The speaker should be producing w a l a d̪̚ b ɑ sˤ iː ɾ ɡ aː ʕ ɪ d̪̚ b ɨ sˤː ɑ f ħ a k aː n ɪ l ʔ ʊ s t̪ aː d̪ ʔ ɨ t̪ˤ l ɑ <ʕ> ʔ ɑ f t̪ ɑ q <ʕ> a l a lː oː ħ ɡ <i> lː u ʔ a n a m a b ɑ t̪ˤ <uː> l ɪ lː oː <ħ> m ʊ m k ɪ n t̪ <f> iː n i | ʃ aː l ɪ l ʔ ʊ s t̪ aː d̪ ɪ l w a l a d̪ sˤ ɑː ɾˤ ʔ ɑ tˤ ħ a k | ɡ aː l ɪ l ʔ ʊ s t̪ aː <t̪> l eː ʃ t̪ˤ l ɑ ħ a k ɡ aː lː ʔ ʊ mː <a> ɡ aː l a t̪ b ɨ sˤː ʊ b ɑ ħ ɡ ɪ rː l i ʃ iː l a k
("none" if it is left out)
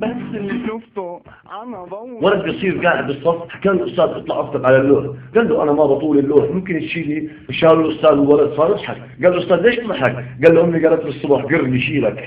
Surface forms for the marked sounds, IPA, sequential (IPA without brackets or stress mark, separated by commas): ʕ, ʕ, a, uː, ħ, ʃ, d̪, i